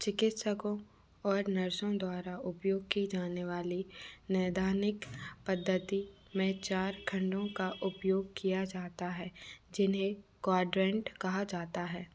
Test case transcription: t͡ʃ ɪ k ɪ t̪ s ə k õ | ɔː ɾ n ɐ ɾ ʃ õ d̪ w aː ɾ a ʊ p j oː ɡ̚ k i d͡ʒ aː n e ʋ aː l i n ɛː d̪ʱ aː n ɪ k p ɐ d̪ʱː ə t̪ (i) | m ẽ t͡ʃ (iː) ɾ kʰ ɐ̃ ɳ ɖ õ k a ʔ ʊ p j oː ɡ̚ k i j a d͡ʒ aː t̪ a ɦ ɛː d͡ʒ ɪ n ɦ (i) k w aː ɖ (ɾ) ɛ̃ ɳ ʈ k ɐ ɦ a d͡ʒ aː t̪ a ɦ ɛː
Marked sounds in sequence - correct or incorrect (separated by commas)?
correct, incorrect, incorrect, correct